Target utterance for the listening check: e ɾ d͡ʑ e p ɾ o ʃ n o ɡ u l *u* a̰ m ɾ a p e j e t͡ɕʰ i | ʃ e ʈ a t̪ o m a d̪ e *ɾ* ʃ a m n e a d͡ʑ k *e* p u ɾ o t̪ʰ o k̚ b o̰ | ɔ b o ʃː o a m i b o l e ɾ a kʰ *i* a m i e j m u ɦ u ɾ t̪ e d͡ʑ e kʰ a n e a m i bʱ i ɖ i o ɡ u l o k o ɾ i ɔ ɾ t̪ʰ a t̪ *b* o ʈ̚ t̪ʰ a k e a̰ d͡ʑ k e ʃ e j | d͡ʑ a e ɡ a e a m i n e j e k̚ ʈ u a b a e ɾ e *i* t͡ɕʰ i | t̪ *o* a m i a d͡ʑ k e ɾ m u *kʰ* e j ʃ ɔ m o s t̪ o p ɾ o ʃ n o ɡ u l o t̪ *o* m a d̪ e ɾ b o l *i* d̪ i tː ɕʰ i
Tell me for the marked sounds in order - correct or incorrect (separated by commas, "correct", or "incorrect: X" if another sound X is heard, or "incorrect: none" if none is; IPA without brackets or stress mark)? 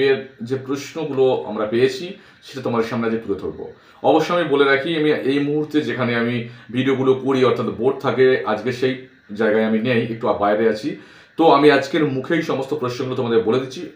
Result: incorrect: o, correct, correct, correct, correct, incorrect: a, correct, correct, correct, incorrect: e